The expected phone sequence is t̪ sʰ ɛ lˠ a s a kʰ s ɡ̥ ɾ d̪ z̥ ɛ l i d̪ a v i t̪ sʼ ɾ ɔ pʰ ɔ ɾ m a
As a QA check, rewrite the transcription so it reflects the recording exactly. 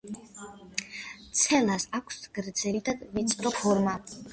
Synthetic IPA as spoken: t̪ sʰ ɛ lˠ a s a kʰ s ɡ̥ ɾ d̪ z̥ ɛ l i d̪ a v i t̪ sʼ ɾ ɔ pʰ ɔ ɾ m a